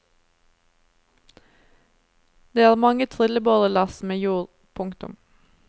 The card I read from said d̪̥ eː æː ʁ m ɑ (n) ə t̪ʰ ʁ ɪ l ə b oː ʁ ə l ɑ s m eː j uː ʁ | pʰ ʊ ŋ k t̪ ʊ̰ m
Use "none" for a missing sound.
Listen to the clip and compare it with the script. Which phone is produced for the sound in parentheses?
ŋ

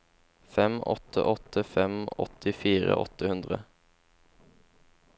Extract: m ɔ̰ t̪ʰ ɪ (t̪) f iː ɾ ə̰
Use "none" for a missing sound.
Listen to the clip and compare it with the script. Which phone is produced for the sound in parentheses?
none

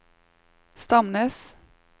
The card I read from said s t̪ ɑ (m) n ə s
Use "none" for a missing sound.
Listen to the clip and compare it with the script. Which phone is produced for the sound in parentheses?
m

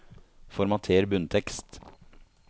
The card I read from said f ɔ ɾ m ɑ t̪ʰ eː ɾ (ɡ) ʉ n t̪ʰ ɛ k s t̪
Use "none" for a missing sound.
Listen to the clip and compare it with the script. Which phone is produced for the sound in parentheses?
b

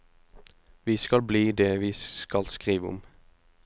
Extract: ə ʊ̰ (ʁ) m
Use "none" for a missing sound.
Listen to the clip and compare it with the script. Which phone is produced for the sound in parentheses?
none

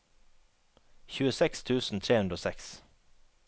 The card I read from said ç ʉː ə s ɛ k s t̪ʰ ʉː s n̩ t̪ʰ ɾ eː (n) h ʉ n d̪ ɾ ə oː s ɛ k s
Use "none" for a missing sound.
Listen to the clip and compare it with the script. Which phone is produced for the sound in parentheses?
none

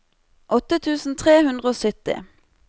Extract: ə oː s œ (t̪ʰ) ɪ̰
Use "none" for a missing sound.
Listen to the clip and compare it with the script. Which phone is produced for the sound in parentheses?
t̪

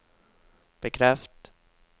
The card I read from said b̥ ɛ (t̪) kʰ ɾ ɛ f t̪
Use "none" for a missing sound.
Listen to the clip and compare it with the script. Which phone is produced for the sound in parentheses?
none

